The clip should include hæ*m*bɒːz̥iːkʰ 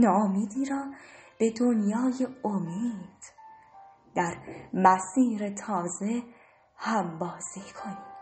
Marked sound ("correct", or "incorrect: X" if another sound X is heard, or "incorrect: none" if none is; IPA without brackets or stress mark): correct